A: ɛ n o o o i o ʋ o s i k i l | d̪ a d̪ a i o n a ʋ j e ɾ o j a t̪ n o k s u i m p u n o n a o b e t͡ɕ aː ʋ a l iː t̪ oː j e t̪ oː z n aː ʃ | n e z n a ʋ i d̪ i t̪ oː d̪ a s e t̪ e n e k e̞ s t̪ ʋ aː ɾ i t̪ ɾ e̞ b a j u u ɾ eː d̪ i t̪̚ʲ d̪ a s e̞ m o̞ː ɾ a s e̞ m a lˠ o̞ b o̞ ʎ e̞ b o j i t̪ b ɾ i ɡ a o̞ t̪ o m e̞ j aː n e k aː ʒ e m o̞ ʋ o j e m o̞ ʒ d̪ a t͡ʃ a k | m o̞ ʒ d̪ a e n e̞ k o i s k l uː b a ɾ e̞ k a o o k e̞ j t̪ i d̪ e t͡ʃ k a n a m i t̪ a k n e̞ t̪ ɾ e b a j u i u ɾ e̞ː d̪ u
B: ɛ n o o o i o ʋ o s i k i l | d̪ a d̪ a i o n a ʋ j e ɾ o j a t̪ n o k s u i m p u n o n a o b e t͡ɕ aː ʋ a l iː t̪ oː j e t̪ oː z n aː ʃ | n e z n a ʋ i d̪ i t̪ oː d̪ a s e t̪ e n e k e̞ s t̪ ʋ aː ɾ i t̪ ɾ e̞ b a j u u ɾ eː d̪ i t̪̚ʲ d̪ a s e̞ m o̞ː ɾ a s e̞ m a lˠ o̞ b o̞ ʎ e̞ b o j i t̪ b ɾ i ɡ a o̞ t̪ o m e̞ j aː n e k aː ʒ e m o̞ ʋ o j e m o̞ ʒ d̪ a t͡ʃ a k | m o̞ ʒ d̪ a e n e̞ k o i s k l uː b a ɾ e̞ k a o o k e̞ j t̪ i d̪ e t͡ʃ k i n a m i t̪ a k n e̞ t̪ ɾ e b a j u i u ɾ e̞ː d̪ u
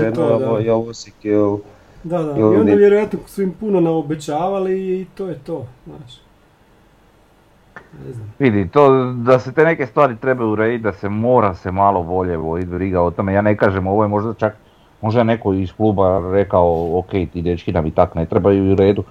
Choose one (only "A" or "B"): B